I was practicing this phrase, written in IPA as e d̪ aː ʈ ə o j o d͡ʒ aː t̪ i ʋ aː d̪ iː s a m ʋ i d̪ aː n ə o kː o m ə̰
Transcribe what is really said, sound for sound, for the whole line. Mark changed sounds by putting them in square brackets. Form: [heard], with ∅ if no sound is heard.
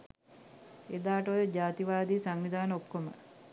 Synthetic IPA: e d̪ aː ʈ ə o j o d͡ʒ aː t̪ i ʋ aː d̪ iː s a [ŋ] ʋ i d̪ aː n ə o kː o m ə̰